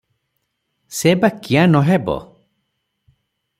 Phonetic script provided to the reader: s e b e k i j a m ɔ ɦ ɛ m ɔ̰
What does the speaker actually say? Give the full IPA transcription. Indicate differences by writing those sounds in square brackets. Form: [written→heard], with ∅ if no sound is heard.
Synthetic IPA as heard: s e b [e→a] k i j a [m→n] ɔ ɦ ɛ [m→b] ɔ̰